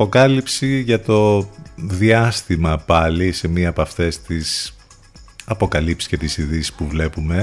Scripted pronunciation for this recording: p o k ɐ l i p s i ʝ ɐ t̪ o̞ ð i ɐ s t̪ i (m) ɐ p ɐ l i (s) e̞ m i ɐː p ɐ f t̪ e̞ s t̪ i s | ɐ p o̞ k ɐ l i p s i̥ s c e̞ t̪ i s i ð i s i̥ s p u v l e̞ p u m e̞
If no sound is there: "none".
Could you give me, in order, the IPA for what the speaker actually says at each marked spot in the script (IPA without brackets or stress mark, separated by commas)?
m, s